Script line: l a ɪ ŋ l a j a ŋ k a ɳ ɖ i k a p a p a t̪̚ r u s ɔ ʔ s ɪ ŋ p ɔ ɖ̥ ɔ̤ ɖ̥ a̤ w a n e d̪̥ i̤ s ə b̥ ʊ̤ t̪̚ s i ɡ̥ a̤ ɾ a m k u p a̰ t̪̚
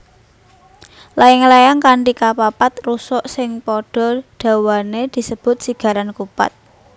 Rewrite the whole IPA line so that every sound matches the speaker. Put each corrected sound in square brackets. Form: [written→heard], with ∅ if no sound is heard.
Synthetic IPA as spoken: l a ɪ ŋ l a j a ŋ k a ɳ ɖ i k a p a p a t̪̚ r u s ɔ ʔ s ɪ ŋ p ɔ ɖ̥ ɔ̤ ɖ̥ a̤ w a n e d̪̥ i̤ s ə b̥ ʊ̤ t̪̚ s i ɡ̥ a̤ ɾ a [m→n] k u p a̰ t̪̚